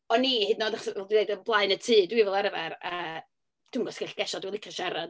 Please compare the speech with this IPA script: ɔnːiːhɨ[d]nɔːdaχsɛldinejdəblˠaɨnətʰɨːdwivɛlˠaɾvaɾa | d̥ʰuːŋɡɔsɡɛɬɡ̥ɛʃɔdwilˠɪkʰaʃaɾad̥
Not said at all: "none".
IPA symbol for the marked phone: d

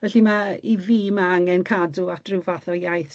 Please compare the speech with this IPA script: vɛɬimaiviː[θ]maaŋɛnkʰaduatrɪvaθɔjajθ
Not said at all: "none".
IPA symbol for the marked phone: none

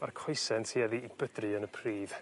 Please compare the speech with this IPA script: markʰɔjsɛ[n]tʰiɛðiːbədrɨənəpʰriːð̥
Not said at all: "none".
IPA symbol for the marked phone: n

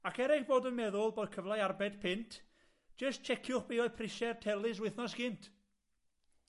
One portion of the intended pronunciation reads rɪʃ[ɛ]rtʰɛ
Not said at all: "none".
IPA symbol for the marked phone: ɛ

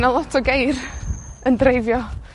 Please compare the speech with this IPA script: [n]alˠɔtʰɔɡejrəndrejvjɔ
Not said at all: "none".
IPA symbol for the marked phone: n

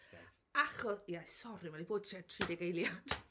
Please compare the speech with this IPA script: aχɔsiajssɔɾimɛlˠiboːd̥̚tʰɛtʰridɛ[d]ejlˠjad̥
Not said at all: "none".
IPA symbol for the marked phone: ɡ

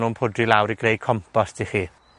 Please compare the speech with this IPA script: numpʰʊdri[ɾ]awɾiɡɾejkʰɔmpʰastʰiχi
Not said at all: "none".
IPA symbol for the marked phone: l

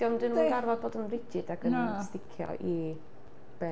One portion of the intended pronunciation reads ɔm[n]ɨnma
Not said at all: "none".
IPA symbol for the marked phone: d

